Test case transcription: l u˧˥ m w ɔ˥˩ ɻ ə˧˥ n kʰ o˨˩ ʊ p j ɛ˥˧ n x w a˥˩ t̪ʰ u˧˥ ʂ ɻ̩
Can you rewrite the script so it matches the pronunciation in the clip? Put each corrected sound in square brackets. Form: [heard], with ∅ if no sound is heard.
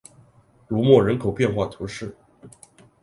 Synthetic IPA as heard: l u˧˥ m w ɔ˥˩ ɻ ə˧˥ n kʰ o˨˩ ʊ p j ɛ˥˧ n x w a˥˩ t̪ʰ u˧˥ ʂ ɻ̩